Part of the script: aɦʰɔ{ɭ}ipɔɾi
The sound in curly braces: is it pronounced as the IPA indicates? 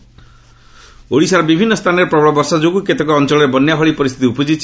yes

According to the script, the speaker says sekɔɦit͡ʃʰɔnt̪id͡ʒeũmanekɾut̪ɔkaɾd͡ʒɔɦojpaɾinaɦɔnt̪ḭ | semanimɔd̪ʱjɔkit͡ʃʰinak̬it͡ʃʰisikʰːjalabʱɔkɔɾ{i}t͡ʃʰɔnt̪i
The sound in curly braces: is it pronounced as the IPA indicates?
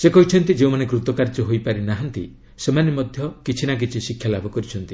yes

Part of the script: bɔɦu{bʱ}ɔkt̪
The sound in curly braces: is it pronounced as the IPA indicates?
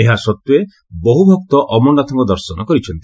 yes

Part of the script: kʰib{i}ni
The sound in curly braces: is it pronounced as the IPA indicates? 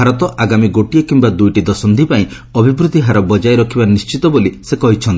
no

